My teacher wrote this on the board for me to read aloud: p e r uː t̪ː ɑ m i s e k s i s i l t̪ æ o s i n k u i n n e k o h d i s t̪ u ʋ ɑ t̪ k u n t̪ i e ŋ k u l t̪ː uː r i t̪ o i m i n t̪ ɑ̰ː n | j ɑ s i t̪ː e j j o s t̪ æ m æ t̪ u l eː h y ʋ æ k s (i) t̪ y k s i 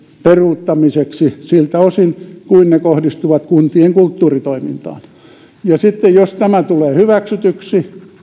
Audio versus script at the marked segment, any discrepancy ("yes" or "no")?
yes